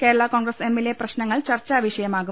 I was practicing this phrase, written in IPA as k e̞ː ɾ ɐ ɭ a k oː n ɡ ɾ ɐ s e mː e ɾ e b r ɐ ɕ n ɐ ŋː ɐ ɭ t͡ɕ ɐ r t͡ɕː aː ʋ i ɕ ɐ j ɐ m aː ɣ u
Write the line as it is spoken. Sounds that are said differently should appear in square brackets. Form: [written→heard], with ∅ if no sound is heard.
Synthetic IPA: k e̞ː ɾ ɐ ɭ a k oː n ɡ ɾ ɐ s e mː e [ɾ→l] e [b→p] r ɐ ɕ n ɐ ŋː ɐ ɭ t͡ɕ ɐ r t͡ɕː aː ʋ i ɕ ɐ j ɐ m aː ɣ u